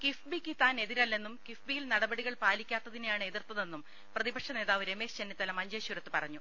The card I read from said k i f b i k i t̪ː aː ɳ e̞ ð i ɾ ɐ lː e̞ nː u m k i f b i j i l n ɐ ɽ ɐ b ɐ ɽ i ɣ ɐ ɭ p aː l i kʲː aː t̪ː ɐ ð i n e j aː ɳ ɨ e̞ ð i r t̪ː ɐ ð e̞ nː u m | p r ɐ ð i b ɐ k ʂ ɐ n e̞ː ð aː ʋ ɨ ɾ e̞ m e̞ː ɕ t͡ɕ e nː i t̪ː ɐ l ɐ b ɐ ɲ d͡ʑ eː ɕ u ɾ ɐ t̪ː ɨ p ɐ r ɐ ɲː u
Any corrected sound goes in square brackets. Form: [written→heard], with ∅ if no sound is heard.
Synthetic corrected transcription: k i f b i k i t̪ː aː [ɳ→n] e̞ ð i ɾ ɐ lː e̞ nː u m k i f b i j i l n ɐ ɽ ɐ b ɐ ɽ i ɣ ɐ ɭ p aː l i kʲː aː t̪ː ɐ ð i n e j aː ɳ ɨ e̞ ð i r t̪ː ɐ ð e̞ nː u m | p r ɐ ð i b ɐ k ʂ ɐ n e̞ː ð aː ʋ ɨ ɾ e̞ m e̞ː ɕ t͡ɕ e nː i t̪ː ɐ l ɐ [b→m] ɐ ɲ d͡ʑ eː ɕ u ɾ ɐ t̪ː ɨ p ɐ r ɐ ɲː u

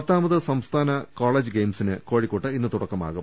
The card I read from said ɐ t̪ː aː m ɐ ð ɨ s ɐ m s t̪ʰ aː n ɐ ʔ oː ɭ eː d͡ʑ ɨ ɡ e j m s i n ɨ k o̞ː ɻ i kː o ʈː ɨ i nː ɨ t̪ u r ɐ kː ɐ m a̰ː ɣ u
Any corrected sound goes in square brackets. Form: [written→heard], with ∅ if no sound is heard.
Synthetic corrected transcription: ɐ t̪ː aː m ɐ ð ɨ s ɐ m s t̪ʰ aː n ɐ [ʔ→k] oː ɭ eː d͡ʑ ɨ ɡ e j m s i n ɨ k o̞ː ɻ i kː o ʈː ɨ i nː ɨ t̪ u [r→ɽ] ɐ kː ɐ m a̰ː ɣ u

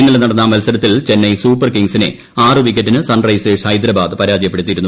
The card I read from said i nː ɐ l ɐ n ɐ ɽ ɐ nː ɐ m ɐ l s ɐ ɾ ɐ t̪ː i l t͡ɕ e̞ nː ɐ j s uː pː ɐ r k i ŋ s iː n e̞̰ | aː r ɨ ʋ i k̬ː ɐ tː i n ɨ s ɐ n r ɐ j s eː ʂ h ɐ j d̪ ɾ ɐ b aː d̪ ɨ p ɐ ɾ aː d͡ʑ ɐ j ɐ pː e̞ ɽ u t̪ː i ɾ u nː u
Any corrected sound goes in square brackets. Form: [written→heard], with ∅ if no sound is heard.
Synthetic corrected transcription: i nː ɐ l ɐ n ɐ ɽ ɐ nː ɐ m ɐ l s ɐ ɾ ɐ t̪ː i l t͡ɕ e̞ nː ɐ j s uː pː ɐ r k i ŋ s [iː→i] n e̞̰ | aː r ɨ ʋ i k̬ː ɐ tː i n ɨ s ɐ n r ɐ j s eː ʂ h ɐ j d̪ ɾ ɐ b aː d̪ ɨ p ɐ ɾ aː d͡ʑ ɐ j ɐ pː e̞ ɽ u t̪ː i ɾ u nː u

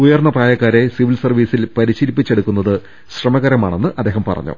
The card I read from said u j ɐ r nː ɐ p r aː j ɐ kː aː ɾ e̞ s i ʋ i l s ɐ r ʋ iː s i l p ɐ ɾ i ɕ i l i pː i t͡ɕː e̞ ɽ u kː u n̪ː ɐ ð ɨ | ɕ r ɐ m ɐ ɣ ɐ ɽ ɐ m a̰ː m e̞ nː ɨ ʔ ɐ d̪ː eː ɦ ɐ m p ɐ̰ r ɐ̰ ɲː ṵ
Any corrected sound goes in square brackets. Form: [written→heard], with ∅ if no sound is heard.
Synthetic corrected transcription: u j ɐ r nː ɐ p r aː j ɐ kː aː ɾ e̞ s i ʋ i l s ɐ r ʋ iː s i l p ɐ ɾ i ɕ i l i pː i t͡ɕː e̞ ɽ u kː u n̪ː ɐ ð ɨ | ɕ r ɐ m ɐ ɣ ɐ [ɽ→ɾ] ɐ m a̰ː [m→ɳ] e̞ nː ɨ ʔ ɐ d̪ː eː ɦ ɐ m p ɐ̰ r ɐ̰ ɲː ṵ

